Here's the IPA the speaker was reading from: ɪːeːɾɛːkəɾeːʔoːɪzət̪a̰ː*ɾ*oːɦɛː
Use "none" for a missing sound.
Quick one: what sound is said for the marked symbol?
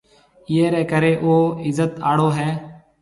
ɽ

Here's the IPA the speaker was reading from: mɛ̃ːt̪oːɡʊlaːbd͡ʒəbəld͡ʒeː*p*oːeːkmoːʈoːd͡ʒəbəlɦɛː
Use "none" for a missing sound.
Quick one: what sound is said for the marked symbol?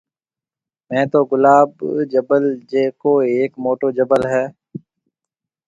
k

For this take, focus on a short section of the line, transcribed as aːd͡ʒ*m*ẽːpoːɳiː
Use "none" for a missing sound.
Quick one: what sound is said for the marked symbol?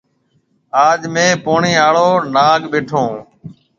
m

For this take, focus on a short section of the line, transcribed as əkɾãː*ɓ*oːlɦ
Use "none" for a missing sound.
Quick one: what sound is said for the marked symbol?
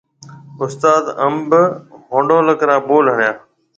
b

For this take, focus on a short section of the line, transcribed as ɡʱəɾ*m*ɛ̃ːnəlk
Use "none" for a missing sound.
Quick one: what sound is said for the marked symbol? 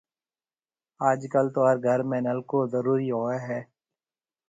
m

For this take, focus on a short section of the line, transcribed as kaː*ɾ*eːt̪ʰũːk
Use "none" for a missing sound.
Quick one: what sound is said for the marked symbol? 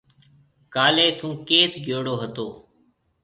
l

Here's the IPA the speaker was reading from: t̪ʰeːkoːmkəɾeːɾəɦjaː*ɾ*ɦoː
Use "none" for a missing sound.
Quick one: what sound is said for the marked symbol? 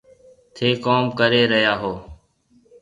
none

